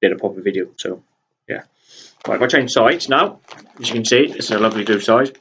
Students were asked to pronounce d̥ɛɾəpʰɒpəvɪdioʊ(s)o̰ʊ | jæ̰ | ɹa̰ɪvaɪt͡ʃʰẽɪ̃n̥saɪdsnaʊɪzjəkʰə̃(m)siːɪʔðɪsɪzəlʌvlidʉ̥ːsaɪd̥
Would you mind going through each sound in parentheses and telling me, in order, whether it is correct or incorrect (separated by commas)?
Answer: correct, incorrect